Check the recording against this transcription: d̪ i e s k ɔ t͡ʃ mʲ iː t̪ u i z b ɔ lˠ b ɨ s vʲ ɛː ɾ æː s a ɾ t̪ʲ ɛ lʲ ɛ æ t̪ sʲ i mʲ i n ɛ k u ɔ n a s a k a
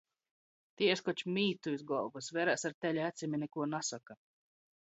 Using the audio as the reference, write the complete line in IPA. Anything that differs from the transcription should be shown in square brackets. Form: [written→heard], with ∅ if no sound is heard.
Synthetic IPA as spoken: [d̪→t̪] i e s k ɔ t͡ʃ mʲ iː t̪ u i z [b→ɡ] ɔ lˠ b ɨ s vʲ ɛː ɾ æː s a ɾ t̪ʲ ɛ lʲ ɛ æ t̪ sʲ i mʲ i n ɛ k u ɔ n a s a k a

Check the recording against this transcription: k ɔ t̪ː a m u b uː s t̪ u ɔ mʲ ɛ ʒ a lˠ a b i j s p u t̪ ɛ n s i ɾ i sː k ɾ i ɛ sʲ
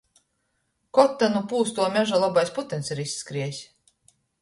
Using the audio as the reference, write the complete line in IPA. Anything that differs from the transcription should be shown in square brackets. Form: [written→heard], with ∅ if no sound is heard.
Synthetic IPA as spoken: k ɔ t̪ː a [m→n] u [b→p] uː s t̪ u ɔ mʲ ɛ ʒ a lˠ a b [i→a] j s p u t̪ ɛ n s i ɾ i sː k ɾ i ɛ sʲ

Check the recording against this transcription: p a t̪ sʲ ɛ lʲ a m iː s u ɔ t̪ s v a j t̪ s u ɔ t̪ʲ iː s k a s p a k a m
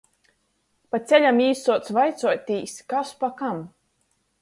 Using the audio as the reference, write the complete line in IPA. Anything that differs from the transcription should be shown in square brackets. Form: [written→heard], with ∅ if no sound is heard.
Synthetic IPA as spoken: p a t̪ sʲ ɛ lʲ a m iː s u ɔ t̪ s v a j t̪ s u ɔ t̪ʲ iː s k a s p a k a m

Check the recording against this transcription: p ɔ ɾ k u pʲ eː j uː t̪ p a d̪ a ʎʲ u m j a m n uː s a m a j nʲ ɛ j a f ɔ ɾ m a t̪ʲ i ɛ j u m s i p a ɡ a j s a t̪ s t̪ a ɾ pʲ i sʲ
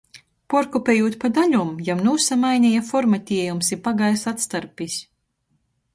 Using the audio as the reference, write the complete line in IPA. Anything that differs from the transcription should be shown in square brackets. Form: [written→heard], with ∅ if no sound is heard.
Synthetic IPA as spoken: p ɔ ɾ k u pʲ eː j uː t̪ p a d̪ a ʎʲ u m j a m n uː s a m a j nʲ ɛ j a f ɔ ɾ m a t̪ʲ i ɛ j u m s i p a ɡ a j s a t̪ s t̪ a ɾ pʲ i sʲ

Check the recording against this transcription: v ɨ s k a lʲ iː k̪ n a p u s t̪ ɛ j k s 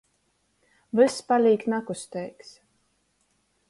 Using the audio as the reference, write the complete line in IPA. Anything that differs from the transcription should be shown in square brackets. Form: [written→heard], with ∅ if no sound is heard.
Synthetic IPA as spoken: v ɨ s [k→p] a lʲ iː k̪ n a [p→k] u s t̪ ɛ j k s

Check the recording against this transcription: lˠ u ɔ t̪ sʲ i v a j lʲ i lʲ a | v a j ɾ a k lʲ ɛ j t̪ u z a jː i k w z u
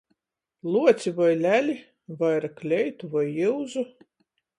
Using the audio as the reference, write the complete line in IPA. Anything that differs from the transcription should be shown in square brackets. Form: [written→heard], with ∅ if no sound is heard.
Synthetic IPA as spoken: lˠ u ɔ t̪ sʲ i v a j lʲ [i→æ] lʲ [a→i] | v a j ɾ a k lʲ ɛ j t̪ u [z→v] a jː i [k→∅] w z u

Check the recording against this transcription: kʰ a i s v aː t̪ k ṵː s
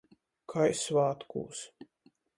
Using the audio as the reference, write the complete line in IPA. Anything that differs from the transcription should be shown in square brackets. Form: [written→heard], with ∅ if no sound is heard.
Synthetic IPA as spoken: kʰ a [i→j] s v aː t̪ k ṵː s

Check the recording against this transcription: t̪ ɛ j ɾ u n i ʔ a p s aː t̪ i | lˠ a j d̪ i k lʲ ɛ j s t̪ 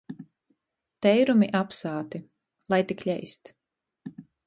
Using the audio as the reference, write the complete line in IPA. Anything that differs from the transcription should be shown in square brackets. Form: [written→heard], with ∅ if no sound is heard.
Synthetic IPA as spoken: t̪ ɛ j ɾ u [n→m] i ʔ a p s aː t̪ i | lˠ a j [d̪→t̪] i k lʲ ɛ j s t̪

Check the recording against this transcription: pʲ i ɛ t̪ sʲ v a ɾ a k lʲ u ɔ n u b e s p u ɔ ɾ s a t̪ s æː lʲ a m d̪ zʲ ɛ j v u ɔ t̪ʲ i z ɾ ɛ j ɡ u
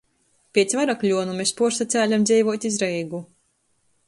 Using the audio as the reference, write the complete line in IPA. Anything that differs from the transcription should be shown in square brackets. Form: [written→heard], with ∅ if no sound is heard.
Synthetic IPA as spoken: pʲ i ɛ t̪ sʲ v a ɾ a k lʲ u ɔ n u [b→m] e s p u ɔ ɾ s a t̪ s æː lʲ a m d̪ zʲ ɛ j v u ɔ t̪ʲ i z ɾ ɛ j ɡ u

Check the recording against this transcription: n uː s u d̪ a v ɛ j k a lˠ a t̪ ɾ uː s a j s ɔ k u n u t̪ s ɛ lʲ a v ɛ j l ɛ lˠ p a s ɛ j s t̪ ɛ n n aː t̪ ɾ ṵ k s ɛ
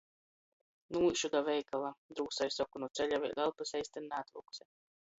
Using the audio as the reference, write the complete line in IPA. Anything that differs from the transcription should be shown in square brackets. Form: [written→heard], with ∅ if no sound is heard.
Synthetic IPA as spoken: n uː [s→ʃ] u d̪ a v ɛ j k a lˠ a [t̪→d̪] ɾ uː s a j s ɔ k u n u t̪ s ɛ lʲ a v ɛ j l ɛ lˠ p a s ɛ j s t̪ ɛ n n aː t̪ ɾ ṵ k s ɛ

